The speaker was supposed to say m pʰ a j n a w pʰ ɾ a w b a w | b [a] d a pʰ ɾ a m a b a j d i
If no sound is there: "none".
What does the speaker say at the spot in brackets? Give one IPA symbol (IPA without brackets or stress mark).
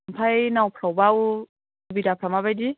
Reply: i